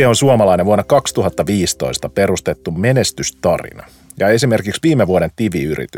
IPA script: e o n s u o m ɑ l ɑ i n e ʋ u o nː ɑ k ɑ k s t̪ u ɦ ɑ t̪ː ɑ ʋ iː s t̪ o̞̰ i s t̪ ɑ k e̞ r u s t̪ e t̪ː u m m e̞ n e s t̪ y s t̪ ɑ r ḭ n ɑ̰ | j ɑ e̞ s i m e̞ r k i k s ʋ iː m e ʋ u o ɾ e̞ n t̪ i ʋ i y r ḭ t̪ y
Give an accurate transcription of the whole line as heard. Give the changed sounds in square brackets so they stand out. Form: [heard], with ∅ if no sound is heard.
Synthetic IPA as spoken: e o n s u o m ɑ l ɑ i n e ʋ u o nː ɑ k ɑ k s t̪ u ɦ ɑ t̪ː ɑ ʋ iː s t̪ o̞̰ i s t̪ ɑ [p] e̞ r u s t̪ e t̪ː u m m e̞ n e s t̪ y s t̪ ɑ r ḭ n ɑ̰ | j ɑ e̞ s i m e̞ r k i k s ʋ iː m e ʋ u o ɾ e̞ n t̪ i ʋ i y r ḭ t̪ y